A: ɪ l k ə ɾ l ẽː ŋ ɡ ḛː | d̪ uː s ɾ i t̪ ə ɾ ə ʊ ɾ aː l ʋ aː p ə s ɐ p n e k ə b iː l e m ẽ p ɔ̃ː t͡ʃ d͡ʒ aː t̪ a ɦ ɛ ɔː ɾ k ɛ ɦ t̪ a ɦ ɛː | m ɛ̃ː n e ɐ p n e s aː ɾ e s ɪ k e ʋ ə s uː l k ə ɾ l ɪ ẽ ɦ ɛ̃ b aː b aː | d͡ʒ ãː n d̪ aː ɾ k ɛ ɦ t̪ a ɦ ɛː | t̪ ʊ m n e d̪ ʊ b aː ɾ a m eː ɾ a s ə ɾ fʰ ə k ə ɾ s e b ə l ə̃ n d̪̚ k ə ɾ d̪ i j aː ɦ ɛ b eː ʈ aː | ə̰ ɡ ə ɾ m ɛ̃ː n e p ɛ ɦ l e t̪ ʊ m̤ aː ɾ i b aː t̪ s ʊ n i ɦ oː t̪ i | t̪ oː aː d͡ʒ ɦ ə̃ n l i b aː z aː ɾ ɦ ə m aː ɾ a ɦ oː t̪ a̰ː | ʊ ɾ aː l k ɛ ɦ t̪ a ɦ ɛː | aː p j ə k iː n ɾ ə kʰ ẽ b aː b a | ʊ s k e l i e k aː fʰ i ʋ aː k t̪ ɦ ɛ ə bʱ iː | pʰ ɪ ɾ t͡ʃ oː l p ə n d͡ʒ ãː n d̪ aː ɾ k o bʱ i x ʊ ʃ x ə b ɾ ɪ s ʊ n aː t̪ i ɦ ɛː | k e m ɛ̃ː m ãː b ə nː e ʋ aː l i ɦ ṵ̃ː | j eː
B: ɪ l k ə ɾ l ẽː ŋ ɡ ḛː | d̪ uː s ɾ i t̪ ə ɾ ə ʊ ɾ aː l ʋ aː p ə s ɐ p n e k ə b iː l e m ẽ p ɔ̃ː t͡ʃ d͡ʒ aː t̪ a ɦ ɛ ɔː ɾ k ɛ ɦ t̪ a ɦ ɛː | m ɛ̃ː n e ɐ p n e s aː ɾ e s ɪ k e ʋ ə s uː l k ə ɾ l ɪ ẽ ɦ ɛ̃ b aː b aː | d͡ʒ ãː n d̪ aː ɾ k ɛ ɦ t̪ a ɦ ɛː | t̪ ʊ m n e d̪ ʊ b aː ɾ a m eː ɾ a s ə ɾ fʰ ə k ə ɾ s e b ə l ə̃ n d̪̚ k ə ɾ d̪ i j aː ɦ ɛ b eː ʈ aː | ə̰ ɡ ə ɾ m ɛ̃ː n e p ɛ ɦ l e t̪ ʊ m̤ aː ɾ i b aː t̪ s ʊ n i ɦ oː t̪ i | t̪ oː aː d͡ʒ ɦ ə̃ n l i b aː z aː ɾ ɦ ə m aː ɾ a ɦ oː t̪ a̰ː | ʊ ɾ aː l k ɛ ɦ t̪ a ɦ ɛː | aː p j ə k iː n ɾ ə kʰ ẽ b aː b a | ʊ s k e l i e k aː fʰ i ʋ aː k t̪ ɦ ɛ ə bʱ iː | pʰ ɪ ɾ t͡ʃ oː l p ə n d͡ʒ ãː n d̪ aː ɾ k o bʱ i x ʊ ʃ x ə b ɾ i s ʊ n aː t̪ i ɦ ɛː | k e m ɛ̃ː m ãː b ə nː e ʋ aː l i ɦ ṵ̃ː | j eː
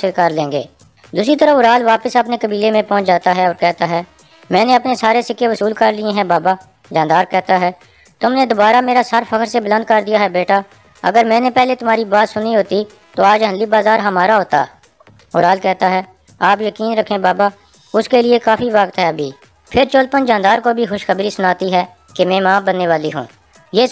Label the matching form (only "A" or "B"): B